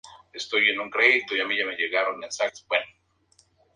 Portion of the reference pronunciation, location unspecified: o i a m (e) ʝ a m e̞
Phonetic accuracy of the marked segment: incorrect: i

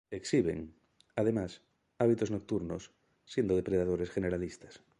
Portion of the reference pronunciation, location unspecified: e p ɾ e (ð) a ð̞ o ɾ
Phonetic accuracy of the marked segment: correct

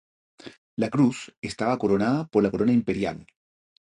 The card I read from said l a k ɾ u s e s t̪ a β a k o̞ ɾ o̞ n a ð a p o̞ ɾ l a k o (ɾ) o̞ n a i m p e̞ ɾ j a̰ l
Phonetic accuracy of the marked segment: correct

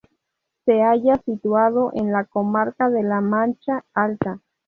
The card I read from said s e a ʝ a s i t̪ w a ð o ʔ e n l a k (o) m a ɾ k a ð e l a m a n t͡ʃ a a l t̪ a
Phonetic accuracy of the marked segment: correct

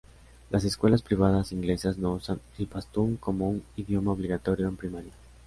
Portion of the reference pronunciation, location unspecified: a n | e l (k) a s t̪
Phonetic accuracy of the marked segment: incorrect: p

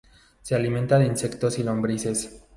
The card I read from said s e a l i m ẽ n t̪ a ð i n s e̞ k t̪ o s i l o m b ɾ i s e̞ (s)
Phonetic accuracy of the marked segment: correct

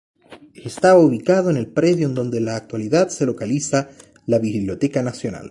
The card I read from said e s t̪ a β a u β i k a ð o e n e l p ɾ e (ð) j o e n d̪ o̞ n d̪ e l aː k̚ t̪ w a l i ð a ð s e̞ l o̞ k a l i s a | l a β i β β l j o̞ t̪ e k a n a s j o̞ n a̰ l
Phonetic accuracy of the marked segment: correct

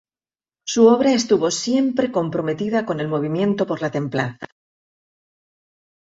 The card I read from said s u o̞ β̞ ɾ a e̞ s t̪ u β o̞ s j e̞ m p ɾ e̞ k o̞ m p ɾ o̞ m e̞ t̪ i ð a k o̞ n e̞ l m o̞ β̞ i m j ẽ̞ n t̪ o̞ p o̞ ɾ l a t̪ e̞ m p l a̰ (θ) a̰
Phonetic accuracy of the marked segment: correct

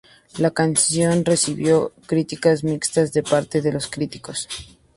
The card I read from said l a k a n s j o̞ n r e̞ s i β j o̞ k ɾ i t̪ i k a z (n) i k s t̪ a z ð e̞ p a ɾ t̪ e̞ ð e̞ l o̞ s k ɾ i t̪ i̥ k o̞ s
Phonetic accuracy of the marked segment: incorrect: m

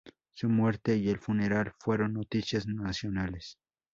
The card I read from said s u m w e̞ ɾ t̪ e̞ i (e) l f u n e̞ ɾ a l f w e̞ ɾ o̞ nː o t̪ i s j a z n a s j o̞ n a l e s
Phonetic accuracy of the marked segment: correct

